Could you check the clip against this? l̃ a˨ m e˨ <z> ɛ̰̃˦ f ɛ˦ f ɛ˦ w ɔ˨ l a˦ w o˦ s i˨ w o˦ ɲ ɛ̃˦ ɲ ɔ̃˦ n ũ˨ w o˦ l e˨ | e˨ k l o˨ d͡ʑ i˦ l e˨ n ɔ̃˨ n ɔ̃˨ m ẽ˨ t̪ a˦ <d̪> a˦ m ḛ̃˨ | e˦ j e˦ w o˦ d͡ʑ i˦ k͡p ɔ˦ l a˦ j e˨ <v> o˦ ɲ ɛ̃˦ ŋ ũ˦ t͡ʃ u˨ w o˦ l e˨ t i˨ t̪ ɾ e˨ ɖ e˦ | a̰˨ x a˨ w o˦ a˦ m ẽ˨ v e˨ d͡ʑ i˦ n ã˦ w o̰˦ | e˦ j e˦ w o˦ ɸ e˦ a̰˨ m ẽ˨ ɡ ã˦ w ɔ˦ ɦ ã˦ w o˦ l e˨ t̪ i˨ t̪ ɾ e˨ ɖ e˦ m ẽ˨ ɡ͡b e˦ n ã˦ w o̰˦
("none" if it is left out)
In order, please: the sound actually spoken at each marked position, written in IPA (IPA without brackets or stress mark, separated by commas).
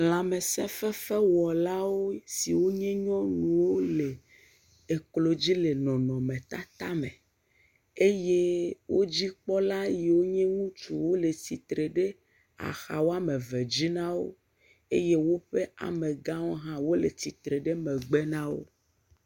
s, t̪, w